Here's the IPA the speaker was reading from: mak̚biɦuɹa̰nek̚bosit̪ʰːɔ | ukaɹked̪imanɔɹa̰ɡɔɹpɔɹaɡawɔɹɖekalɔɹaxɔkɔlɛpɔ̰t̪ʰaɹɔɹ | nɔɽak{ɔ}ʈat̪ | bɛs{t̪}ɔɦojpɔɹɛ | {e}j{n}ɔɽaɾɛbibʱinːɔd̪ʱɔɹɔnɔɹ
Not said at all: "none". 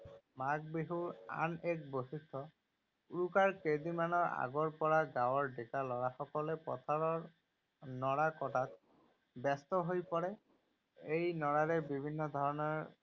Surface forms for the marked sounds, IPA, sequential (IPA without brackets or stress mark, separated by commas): ɔ, t̪, e, n